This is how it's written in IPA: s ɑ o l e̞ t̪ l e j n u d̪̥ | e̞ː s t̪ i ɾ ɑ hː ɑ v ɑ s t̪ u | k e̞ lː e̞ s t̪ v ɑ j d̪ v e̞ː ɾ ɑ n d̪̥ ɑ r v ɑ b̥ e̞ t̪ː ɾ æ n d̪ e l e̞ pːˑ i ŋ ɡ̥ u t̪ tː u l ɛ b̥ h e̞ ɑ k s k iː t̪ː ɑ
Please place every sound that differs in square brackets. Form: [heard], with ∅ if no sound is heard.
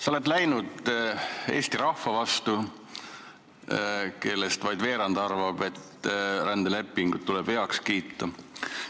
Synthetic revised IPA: s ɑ o l e̞ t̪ l [æ] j n u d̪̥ | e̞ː s t̪ i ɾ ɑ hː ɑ v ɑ s t̪ u | k e̞ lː e̞ s t̪ v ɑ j d̪ v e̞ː ɾ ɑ n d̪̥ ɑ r v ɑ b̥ e̞ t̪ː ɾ æ n d̪ e l e̞ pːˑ i ŋ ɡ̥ u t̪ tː u l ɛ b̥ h e̞ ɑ k s k iː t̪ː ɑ

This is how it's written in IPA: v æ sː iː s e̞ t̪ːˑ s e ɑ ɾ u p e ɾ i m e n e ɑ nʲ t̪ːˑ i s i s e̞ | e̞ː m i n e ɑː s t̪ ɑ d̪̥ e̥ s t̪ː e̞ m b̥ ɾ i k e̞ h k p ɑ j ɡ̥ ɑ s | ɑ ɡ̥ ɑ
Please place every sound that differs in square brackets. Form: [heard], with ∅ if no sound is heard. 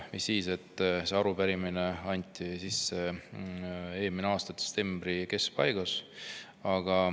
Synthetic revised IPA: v [i] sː iː s e̞ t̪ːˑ s e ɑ ɾ u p [æ] ɾ i m [i] n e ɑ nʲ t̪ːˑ i s i [sː] e̞ | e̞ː m i n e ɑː s t̪ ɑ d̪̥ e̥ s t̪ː e̞ m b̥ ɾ i k e̞ [s] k p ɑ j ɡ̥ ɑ s | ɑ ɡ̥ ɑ

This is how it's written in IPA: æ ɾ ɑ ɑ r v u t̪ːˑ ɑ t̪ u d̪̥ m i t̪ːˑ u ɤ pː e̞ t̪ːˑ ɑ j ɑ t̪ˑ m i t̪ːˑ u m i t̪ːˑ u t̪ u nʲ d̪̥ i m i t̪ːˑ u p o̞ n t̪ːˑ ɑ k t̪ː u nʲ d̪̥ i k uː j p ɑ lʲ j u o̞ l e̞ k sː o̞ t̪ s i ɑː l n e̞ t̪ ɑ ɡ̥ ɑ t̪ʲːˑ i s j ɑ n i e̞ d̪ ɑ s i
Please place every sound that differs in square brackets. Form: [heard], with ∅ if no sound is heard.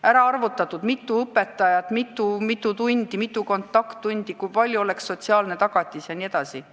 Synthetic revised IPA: æ ɾ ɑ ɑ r v u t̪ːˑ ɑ t̪ u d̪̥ m i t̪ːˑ u ɤ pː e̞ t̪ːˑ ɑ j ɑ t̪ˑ m i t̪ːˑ u m i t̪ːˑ u t̪ u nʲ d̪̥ i m i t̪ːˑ u [k] o̞ n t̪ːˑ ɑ k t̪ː u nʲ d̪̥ i k [u] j p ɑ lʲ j u o̞ l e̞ k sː o̞ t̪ s i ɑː l n e̞ t̪ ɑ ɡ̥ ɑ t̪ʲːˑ i s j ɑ n i e̞ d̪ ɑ s i

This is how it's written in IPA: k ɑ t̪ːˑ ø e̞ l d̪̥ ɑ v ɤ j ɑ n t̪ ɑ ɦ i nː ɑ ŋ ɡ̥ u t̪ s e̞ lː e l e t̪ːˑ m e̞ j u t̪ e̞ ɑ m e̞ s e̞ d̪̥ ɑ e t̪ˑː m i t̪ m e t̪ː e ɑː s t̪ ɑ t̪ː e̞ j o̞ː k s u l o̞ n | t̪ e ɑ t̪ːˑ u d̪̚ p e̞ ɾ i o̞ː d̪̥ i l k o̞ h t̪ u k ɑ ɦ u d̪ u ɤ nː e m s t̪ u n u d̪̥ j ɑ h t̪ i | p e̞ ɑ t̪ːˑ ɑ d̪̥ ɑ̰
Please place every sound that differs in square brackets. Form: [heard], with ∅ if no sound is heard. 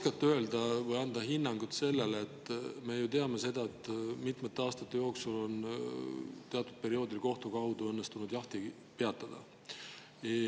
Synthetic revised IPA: k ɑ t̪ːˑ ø e̞ l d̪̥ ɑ v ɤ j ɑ n [d̪] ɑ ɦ i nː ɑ ŋ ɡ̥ u t̪ s e̞ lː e l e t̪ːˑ m e̞ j u t̪ e̞ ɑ m e̞ s e̞ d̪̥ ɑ e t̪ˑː m i t̪ m e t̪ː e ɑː s t̪ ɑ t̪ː e̞ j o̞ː k s u l o̞ n | t̪ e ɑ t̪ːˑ u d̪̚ p e̞ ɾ i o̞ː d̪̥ i l k o̞ h t̪ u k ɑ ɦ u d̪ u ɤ nː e [∅] s t̪ u n u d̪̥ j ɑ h t̪ i | p e̞ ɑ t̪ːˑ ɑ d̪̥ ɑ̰

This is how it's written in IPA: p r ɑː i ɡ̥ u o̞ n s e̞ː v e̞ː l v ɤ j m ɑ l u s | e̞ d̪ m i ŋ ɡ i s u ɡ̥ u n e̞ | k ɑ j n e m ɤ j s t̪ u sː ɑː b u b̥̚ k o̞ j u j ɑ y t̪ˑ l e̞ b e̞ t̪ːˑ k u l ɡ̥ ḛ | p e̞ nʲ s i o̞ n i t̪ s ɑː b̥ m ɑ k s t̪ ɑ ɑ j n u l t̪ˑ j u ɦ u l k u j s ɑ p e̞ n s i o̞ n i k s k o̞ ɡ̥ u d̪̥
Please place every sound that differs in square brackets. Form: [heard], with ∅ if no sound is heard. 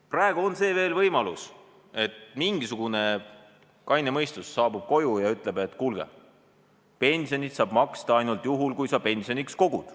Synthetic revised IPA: p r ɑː [e] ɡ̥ u o̞ n s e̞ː v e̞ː l v ɤ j m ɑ l u s | e̞ [t̪] m i ŋ ɡ i s u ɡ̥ u n e̞ | k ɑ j n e m ɤ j s t̪ u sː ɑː b u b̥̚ k o̞ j u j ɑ y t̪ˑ l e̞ b e̞ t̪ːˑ k u l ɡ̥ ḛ | p e̞ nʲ s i o̞ n i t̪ s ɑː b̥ m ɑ k s t̪ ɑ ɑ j n u l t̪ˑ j u ɦ u l k u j s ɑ p e̞ n s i o̞ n i k s k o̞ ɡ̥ u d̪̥

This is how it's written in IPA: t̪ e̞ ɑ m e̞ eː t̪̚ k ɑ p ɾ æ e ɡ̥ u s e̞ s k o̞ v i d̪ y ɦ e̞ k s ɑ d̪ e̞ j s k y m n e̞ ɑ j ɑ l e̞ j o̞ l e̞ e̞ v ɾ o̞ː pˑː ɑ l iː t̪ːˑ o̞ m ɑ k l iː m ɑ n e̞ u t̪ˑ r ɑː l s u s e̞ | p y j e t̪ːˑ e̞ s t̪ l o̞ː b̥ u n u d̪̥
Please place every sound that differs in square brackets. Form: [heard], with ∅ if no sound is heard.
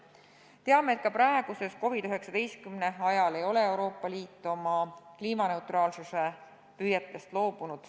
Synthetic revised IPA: t̪ e̞ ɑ m e̞ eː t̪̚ k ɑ p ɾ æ e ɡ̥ u s e̞ s k o̞ v i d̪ y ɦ e̞ k s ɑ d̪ e̞ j s k y m n e̞ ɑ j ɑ l e̞ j o̞ l e̞ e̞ [w] ɾ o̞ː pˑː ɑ l iː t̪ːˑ o̞ m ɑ k l iː m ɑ n e̞ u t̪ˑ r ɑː l s u s e̞ | p y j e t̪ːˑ e̞ s t̪ l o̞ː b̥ u n u d̪̥

